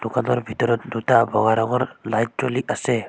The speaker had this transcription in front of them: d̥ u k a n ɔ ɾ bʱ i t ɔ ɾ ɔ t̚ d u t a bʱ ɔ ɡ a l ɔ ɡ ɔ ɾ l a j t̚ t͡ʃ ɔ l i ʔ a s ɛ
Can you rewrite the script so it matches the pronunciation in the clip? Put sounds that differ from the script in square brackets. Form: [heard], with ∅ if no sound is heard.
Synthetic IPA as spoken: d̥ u k a n ɔ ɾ bʱ i t ɔ ɾ ɔ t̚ d u t a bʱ ɔ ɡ a [ɾ] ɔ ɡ ɔ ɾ l a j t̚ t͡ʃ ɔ l i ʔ a s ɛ